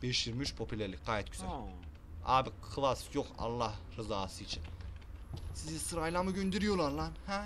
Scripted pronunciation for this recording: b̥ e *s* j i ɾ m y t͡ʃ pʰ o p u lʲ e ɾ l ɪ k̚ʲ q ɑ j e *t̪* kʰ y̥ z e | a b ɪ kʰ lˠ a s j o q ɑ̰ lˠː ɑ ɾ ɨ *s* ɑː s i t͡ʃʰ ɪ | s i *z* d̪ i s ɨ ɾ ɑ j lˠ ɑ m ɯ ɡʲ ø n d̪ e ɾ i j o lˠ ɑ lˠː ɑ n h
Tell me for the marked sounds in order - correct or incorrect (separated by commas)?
incorrect, correct, incorrect, correct